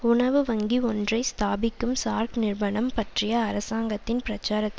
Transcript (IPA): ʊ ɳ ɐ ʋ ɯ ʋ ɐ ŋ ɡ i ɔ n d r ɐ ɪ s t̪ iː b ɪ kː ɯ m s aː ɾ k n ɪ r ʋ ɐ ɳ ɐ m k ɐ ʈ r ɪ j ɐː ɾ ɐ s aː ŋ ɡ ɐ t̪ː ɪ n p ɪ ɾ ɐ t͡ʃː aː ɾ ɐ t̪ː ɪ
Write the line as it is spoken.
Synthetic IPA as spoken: ʊ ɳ ɐ ʋ ɯ ʋ ɐ ŋ ɡ i ɔ n d r ɐ ɪ s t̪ aː b ɪ kː ɯ m s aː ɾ k n ɪ r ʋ ɐ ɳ ɐ m p ɐ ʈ r ɪ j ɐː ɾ ɐ s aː ŋ ɡ ɐ t̪ː ɪ n p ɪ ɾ ɐ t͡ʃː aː ɾ ɐ t̪ː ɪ